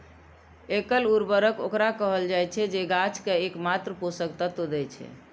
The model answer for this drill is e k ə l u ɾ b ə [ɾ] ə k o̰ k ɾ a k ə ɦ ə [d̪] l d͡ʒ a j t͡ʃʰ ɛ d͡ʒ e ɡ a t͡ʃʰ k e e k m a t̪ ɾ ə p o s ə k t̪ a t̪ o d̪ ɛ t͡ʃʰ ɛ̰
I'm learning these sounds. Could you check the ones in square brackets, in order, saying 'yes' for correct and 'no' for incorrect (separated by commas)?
yes, no